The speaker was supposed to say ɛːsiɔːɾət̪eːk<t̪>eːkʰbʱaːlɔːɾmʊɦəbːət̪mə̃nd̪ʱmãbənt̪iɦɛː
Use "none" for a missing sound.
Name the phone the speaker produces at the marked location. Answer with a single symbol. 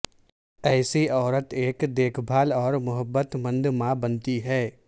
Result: d̪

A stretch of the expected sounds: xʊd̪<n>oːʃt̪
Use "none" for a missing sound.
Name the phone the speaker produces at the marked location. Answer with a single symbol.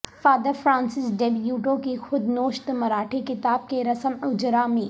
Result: n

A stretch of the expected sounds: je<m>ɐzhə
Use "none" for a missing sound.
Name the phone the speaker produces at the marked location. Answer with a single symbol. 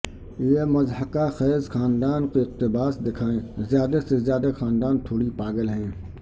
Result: m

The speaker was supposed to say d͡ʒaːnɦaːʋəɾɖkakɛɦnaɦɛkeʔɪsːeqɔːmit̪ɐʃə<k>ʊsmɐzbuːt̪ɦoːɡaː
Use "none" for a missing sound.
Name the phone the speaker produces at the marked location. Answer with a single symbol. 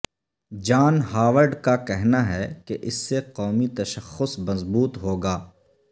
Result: x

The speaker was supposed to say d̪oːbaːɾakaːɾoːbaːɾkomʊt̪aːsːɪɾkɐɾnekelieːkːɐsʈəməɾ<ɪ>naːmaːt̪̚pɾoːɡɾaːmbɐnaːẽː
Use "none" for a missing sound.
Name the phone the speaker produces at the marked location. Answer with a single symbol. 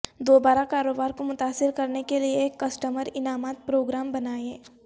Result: ɪ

